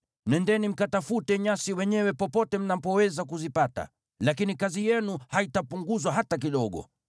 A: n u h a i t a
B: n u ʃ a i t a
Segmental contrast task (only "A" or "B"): A